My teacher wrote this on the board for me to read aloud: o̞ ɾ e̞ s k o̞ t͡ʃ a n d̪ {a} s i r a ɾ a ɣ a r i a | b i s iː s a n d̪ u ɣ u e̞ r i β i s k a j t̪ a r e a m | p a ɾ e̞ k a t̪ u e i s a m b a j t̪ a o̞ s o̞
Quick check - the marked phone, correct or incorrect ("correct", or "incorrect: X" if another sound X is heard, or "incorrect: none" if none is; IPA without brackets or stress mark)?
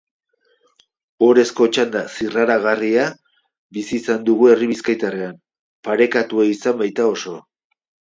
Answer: correct